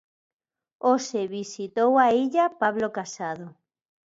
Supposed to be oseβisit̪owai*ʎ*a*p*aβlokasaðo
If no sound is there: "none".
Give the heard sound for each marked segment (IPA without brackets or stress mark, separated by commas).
ʎ, p